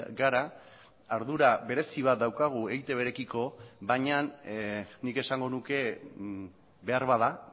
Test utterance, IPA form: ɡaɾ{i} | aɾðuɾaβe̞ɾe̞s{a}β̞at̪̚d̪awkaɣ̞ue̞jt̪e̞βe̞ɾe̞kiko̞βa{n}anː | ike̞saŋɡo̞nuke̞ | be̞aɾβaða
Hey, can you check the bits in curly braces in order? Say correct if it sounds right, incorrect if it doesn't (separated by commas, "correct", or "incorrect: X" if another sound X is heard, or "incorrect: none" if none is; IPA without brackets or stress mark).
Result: incorrect: a, incorrect: i, incorrect: ɲ